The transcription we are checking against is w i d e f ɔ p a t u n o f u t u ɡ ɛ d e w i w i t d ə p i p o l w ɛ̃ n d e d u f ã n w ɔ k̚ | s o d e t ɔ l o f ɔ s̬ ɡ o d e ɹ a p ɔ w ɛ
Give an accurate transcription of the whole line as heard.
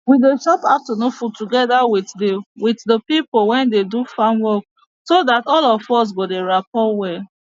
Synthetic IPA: w i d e ʃ ɔ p a t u n o f u t u ɡ ɛ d a w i w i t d ə p i p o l w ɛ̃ n d e d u f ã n w ɔ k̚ | s o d a t ɔ l ɔ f ɔ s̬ ɡ o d e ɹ a p ɔ w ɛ